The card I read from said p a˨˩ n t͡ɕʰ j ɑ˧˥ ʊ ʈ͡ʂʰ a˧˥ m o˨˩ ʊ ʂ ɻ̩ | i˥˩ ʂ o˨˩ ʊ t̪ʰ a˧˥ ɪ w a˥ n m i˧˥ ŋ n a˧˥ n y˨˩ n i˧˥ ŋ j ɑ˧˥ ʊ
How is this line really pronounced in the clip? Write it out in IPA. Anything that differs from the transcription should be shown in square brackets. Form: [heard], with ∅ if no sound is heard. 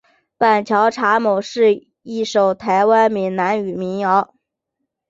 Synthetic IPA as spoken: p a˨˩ n t͡ɕʰ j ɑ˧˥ ʊ ʈ͡ʂʰ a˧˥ m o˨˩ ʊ ʂ ɻ̩ | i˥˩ ʂ o˨˩ ʊ t̪ʰ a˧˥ ɪ w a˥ n m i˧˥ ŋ n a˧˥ n y˨˩ [m] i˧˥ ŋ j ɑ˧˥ ʊ